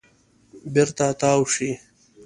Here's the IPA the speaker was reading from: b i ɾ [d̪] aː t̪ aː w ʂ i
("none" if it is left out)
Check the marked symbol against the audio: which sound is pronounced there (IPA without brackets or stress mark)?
t̪